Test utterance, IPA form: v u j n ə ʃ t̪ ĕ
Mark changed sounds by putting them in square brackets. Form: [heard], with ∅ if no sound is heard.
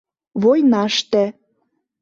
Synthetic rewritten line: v [o] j n [ɑ] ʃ t̪ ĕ